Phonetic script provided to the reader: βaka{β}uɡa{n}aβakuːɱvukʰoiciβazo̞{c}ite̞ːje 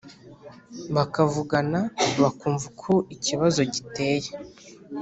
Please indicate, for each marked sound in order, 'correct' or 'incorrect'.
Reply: incorrect: v, correct, incorrect: ɟ

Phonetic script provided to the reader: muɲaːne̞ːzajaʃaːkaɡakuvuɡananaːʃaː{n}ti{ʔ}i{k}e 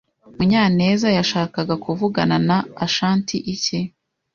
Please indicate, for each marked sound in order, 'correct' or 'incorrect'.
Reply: correct, correct, incorrect: c

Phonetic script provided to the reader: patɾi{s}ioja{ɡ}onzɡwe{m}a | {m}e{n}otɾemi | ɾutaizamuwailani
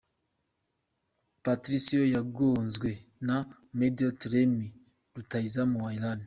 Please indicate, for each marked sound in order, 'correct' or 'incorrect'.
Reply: correct, correct, incorrect: n, correct, incorrect: d

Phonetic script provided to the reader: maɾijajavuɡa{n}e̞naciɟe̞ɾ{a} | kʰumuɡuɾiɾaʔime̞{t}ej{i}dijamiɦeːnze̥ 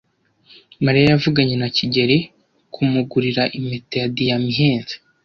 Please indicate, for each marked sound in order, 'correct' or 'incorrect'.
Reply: incorrect: ɲ, incorrect: e, correct, incorrect: a

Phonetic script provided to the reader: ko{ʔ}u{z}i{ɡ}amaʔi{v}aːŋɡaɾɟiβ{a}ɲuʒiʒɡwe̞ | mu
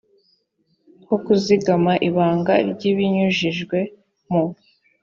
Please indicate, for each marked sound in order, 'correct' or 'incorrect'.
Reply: incorrect: k, correct, correct, incorrect: β, incorrect: i

